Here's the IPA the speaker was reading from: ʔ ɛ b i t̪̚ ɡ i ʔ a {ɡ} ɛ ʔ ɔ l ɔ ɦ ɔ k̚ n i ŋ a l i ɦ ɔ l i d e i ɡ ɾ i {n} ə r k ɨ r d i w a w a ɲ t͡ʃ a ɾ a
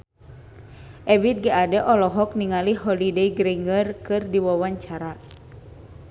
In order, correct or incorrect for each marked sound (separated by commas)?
incorrect, incorrect